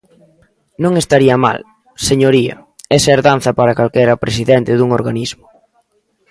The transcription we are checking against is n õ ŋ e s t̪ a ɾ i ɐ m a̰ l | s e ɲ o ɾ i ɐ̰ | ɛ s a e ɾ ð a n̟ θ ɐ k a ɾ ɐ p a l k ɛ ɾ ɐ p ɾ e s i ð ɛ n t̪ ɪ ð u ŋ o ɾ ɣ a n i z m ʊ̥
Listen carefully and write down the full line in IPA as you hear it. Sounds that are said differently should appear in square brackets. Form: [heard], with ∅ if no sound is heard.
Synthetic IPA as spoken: n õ ŋ e s t̪ a ɾ i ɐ m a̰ l | s e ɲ o ɾ i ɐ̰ | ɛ s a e ɾ ð a n̟ θ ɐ [p] a ɾ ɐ [k] a l k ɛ ɾ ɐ p ɾ e s i ð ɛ n t̪ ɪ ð u ŋ o ɾ ɣ a n i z m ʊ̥